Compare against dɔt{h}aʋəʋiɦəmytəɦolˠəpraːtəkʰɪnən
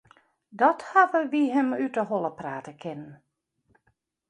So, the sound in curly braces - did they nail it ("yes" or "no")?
yes